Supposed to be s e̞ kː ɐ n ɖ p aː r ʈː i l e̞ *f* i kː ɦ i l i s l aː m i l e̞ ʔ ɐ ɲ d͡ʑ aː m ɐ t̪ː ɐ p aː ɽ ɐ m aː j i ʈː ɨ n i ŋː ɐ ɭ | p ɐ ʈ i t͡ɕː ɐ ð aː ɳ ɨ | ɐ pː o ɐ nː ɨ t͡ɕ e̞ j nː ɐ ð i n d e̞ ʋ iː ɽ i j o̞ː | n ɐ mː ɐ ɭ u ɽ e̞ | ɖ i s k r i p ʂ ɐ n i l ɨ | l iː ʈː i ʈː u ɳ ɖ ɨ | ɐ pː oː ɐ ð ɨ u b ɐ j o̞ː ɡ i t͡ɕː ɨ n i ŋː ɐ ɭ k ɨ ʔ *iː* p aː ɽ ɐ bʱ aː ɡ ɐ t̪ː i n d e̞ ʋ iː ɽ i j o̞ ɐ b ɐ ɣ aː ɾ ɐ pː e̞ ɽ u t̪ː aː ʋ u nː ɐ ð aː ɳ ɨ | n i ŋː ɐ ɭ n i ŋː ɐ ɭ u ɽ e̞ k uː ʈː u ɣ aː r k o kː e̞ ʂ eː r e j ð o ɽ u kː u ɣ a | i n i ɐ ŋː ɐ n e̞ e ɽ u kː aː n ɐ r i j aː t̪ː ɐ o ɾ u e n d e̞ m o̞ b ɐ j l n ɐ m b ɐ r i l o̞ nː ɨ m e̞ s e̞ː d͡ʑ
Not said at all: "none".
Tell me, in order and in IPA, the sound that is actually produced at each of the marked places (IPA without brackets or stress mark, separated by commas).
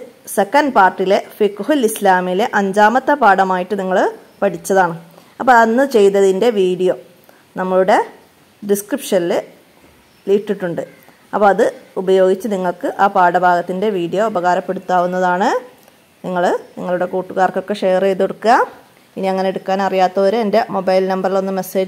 f, aː